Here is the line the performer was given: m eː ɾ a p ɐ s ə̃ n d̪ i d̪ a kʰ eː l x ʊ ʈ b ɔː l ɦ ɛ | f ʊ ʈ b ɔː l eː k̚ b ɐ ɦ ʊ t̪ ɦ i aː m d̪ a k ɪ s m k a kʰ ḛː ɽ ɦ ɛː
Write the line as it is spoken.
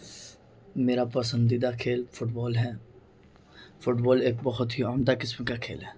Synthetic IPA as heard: m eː ɾ a p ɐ s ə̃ n d̪ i d̪ a kʰ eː l f ʊ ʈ b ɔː l ɦ ɛ | f ʊ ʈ b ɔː l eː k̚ b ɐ ɦ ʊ t̪ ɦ i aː m d̪ a k ɪ s m k a kʰ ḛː l ɦ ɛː